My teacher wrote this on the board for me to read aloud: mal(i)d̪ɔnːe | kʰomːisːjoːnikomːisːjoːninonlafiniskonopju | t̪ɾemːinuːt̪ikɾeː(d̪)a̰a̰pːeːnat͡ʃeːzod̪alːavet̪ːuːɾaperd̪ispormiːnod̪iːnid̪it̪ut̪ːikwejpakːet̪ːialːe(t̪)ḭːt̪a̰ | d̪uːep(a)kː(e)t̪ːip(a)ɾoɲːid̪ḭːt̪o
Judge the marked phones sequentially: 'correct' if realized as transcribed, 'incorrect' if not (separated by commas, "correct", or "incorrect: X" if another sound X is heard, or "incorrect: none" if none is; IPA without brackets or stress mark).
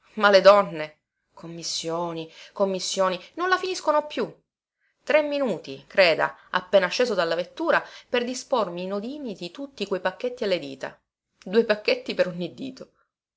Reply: incorrect: e, correct, incorrect: d̪, correct, correct, incorrect: e